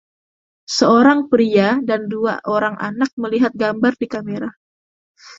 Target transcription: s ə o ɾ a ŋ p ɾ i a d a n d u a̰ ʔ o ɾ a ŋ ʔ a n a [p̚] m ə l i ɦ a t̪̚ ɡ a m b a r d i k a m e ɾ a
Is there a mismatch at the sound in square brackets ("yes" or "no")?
yes